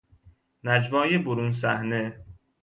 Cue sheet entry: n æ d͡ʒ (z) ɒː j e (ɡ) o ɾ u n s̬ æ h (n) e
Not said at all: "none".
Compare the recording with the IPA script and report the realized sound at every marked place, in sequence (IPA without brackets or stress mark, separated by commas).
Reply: v, b, n